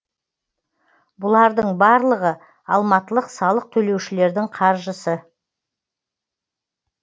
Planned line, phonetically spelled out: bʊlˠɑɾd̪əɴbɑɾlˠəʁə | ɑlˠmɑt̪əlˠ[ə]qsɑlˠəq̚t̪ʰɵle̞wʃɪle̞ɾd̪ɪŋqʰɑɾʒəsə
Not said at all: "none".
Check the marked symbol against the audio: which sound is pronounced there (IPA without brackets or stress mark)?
ə